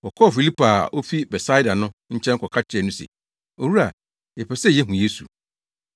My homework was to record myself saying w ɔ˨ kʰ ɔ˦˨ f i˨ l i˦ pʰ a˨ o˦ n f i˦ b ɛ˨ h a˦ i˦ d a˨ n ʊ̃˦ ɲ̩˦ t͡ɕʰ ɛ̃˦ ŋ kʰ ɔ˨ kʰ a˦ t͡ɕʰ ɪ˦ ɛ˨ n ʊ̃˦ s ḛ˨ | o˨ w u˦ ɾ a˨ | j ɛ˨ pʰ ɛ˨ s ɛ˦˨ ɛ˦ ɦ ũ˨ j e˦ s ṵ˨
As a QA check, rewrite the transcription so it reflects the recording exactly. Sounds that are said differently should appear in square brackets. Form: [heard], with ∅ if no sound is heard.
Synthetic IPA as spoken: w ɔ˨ kʰ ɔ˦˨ f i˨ l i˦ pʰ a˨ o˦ [∅] f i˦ b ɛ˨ [s] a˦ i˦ d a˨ n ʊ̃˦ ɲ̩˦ t͡ɕʰ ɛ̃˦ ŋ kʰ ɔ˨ kʰ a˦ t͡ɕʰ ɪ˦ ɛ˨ n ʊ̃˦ s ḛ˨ | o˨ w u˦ ɾ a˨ | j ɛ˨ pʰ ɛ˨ s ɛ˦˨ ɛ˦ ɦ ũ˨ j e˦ s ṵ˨